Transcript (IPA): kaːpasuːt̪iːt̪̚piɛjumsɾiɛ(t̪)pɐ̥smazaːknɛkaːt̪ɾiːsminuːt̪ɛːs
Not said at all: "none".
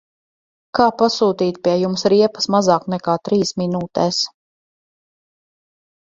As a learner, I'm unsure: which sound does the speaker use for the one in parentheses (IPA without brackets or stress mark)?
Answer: none